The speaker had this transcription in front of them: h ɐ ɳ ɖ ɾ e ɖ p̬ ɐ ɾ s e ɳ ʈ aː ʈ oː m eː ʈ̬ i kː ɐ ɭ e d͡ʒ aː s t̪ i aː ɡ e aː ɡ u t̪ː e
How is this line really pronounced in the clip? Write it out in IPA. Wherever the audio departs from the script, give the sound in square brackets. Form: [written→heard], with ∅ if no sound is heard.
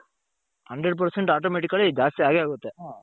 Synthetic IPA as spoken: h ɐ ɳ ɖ ɾ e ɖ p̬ ɐ ɾ s e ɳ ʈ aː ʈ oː m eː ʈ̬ i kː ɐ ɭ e d͡ʒ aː s t̪ i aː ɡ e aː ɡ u t̪ː e